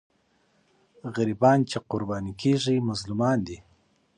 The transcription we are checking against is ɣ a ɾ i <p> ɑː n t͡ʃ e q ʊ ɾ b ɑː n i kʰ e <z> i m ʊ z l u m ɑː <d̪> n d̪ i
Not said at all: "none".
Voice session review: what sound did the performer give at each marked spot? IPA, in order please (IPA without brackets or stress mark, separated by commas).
b, ʐ, none